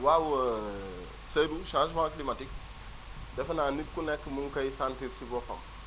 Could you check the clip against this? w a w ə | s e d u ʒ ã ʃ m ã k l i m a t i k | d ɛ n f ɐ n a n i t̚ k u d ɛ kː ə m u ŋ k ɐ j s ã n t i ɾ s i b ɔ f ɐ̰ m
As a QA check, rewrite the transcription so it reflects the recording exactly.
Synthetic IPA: w a w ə | s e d u ʃ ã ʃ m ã k l i m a t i k | d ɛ f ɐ n a n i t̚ k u n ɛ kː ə m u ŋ k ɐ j s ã n t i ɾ s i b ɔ f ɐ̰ m